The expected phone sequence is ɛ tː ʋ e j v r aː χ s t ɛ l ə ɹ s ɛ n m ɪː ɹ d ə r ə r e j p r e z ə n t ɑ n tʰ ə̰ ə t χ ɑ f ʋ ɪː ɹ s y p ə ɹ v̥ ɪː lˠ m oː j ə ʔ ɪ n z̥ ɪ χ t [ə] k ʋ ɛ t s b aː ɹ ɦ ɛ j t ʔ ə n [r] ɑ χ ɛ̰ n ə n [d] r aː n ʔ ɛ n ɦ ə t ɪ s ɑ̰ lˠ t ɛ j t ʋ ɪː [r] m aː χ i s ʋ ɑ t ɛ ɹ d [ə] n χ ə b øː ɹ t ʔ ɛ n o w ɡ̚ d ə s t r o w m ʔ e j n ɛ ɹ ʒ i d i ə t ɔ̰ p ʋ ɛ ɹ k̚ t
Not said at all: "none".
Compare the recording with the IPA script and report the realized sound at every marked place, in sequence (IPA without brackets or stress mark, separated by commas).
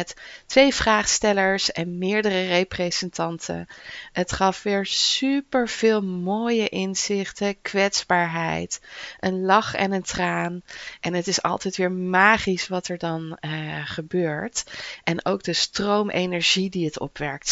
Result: ə, l, t, ɹ, ɑ